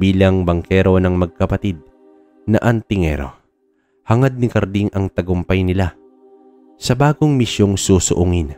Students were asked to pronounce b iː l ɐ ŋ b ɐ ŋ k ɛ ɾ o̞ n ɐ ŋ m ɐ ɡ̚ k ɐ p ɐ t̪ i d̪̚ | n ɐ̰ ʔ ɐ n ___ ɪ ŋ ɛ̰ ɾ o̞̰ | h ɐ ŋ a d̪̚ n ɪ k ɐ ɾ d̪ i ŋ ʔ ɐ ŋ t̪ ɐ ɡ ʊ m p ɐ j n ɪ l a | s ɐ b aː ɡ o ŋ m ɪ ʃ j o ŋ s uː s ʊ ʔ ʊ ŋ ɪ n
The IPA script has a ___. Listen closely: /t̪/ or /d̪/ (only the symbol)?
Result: t̪